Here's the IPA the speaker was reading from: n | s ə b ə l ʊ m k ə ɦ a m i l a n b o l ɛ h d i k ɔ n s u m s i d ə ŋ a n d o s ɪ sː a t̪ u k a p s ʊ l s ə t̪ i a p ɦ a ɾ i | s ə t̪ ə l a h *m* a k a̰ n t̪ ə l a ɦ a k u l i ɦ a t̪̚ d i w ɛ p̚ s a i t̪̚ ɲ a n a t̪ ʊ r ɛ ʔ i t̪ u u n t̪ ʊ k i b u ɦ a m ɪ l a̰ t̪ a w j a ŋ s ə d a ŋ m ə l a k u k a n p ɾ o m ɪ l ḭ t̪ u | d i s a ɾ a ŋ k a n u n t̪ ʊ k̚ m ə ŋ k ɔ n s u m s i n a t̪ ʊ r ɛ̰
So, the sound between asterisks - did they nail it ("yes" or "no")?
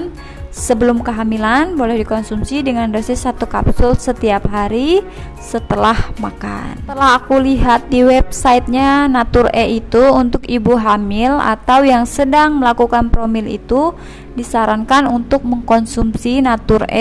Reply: yes